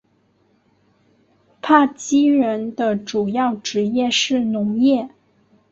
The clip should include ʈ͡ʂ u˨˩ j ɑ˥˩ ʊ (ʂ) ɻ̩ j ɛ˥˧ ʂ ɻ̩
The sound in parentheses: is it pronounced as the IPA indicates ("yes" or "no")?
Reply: no